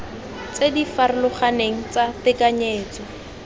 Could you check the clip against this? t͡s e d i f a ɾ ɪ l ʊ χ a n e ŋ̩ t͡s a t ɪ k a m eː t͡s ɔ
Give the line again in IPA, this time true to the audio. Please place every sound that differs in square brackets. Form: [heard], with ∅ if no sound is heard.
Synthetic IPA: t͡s e d i f a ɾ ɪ l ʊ χ a n e ŋ̩ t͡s a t ɪ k a [ɲ] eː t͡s ɔ